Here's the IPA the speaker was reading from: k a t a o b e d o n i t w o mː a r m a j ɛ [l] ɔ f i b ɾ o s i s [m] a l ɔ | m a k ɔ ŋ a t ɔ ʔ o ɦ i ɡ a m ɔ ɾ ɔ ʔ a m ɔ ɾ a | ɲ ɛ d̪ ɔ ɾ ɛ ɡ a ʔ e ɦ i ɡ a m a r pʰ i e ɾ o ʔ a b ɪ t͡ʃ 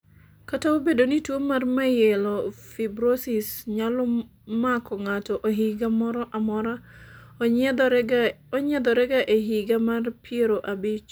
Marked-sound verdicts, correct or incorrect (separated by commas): correct, incorrect